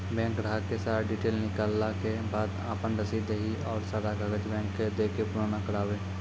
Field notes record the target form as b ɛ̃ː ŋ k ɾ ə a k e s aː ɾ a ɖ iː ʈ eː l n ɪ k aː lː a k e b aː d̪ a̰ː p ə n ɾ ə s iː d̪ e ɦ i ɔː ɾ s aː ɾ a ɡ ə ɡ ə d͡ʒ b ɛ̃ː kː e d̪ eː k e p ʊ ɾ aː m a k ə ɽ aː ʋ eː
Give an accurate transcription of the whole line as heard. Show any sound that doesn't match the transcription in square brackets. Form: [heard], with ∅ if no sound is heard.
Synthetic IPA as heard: b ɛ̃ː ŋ k ɾ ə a k e s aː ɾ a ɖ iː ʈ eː l n ɪ k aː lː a k e b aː d̪ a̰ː p ə n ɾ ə s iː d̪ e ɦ i ɔː ɾ s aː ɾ a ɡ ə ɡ ə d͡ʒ b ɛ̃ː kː e d̪ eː k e p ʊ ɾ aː [n] a k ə ɽ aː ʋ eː